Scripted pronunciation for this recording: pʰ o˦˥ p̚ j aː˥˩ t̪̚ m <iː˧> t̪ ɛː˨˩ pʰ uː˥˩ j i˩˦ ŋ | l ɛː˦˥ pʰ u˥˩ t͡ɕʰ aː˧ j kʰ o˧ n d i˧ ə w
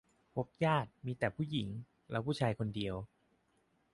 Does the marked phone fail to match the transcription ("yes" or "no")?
no